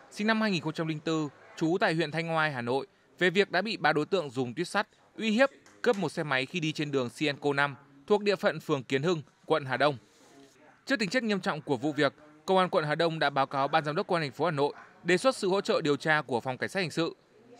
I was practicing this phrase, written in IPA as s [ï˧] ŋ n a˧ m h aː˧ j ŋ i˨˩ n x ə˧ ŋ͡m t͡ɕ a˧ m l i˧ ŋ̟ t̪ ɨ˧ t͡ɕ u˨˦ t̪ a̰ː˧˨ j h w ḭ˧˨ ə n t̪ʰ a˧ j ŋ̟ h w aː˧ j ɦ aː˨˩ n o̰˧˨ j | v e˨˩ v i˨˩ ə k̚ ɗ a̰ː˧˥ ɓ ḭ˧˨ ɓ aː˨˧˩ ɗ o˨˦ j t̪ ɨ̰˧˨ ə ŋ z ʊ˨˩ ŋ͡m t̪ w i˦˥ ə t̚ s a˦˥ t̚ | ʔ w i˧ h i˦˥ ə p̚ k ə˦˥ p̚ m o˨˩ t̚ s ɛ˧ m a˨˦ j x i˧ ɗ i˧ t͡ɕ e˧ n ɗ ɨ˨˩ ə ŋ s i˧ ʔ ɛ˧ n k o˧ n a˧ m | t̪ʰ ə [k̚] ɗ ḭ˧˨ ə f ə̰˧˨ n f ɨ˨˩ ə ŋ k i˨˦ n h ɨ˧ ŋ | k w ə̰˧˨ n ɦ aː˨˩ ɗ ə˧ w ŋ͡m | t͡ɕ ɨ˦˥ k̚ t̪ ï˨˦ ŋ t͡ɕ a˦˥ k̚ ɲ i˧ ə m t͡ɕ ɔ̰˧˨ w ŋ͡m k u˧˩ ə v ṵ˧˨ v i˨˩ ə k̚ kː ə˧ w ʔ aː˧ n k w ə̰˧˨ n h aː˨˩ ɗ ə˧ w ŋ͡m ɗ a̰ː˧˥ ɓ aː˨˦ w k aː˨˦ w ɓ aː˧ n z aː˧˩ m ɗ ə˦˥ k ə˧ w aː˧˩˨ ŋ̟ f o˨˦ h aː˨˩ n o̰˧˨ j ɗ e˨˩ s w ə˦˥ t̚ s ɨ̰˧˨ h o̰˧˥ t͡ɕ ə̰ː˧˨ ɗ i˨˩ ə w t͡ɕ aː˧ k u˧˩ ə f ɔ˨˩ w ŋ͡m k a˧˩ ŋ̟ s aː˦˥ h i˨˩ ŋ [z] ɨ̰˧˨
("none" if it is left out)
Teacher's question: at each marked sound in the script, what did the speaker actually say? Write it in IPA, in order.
ï˧, k̚, s

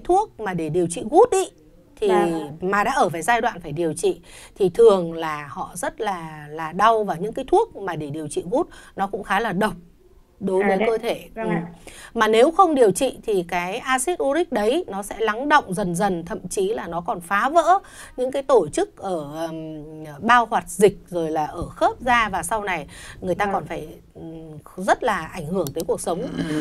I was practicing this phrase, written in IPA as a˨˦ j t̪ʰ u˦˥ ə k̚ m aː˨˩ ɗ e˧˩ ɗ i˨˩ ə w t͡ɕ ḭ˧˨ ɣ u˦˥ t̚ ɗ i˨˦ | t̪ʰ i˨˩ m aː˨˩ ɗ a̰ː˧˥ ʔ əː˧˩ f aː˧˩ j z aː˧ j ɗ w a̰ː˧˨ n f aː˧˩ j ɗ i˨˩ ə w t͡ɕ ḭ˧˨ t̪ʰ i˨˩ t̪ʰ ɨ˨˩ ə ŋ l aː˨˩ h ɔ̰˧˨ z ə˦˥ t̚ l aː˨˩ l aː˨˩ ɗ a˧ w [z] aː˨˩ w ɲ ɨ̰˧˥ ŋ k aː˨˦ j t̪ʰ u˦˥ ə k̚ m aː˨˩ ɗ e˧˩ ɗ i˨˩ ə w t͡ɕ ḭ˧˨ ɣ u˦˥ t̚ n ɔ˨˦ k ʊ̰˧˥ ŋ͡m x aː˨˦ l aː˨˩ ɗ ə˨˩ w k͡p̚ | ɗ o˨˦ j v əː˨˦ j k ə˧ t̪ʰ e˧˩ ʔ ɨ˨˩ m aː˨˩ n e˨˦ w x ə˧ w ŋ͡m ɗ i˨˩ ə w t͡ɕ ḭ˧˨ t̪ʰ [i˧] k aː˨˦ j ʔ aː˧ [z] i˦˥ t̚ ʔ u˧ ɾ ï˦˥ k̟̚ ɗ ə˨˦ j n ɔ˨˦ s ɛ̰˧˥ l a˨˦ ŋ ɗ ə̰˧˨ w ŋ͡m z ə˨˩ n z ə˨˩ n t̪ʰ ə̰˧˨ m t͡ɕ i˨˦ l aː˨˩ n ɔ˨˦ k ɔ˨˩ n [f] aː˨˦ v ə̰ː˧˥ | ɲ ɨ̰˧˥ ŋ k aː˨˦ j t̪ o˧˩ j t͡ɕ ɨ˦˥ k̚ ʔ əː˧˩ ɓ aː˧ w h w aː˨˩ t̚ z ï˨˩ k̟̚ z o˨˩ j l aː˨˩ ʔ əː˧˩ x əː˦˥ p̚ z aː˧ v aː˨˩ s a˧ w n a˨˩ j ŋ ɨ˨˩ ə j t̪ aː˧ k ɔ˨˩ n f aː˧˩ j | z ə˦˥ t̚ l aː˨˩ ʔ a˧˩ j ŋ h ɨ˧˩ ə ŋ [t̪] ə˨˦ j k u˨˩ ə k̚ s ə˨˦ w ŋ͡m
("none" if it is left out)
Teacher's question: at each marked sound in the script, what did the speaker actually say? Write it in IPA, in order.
v, i˨˩, s, f, t̪

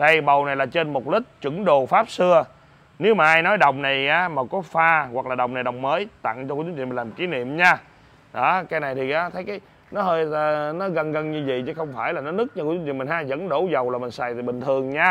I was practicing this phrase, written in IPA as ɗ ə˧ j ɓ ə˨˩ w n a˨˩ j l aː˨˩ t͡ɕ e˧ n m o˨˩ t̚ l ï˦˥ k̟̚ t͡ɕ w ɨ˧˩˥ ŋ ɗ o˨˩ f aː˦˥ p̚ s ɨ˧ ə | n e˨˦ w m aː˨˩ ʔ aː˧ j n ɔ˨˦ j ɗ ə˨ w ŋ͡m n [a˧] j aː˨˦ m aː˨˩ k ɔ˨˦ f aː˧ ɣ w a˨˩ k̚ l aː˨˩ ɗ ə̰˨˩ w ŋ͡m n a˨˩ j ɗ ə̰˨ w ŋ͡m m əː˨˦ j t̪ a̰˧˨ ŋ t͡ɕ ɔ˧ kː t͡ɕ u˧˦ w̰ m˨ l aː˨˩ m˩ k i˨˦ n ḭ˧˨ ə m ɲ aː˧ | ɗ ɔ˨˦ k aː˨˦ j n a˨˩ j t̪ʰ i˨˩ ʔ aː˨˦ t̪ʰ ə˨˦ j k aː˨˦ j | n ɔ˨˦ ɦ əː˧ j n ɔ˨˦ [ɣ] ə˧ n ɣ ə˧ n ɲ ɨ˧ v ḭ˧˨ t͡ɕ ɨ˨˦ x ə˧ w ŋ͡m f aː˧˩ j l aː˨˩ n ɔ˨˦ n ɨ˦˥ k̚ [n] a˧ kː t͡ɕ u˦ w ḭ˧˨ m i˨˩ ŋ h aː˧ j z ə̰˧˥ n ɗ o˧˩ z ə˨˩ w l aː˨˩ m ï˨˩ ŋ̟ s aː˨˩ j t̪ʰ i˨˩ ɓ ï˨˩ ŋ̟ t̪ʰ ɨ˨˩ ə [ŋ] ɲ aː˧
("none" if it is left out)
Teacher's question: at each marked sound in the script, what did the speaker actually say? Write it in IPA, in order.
a˨˩, ɣ, ɲ, ŋ

